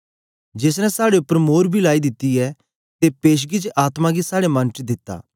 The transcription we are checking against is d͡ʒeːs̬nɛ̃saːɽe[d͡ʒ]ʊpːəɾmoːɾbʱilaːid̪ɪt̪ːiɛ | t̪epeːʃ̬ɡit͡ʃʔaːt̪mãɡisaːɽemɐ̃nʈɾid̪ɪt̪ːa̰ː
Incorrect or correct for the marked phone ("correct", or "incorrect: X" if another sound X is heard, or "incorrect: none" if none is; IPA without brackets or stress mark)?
incorrect: none